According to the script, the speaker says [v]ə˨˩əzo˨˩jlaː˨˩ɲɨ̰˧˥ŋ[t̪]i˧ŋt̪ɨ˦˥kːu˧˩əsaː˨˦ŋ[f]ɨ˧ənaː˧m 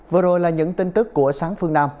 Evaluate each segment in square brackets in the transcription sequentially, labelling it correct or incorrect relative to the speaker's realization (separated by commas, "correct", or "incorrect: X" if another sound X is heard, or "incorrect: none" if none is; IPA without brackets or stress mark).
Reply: correct, correct, correct